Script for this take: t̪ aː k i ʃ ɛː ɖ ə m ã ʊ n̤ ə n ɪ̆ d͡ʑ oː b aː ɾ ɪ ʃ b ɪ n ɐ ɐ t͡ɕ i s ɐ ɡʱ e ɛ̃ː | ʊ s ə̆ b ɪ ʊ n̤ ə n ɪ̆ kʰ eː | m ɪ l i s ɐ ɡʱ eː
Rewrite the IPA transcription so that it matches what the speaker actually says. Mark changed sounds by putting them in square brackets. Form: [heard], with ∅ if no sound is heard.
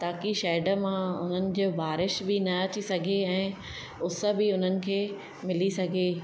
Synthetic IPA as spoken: t̪ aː k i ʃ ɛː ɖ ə m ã ʊ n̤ ə n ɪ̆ d͡ʑ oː b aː ɾ ɪ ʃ b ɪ n ɐ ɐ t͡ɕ i s ɐ ɡʱ e ɛ̃ː | ʊ s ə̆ b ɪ ʊ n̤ ə n ɪ̆ kʰ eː | m ɪ l i s ɐ ɡʱ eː